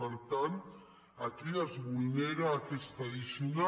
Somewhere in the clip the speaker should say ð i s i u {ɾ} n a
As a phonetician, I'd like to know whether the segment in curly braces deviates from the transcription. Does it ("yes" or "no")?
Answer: yes